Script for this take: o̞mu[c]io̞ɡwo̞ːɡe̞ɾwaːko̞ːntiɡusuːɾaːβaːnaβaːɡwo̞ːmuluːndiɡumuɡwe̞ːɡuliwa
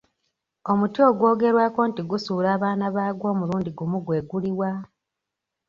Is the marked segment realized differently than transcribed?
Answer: yes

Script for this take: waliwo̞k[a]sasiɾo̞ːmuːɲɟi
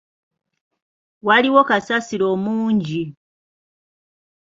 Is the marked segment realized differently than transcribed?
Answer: no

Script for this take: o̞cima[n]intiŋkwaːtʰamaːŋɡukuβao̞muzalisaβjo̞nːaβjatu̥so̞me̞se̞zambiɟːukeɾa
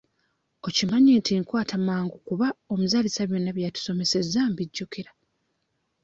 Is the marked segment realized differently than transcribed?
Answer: yes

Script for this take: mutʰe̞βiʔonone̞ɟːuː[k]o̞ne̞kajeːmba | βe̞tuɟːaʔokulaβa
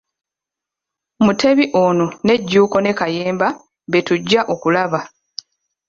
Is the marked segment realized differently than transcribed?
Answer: no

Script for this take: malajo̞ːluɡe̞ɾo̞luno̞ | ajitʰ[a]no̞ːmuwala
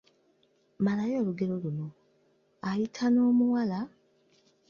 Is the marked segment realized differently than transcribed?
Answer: no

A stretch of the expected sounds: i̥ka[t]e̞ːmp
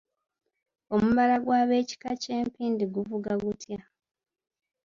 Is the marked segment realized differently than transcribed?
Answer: yes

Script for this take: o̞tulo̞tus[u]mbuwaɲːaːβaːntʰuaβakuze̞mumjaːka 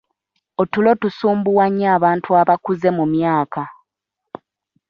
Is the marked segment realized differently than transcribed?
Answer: yes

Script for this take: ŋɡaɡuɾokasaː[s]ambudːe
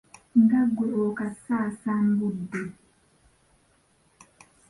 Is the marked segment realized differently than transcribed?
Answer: no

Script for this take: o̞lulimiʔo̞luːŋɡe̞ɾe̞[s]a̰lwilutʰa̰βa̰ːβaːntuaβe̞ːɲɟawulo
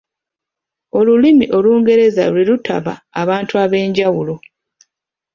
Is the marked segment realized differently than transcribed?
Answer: yes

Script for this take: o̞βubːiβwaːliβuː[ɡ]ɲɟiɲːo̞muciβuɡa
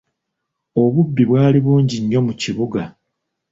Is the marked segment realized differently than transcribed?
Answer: yes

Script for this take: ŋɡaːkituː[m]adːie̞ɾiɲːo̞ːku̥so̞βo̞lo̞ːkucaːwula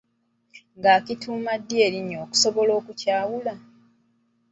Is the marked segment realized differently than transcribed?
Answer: no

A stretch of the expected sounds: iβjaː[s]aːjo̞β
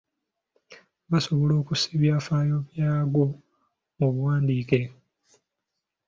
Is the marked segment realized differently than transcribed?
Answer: yes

